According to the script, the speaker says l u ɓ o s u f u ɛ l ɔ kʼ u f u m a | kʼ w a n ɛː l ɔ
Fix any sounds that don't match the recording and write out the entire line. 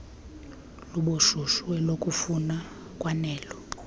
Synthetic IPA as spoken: l u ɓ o ʃ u ʃ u ɛ l o kʼ u f u n a | kʼ w a n ɛː l ɔ